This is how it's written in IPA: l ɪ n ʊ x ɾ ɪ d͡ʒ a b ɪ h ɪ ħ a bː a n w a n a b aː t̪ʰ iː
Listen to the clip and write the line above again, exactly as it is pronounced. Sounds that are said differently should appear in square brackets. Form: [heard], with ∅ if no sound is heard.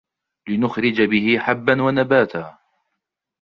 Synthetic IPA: l ɪ n ʊ x ɾ ɪ d͡ʒ a b ɪ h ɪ ħ a bː a n w a n a b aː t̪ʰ [aː]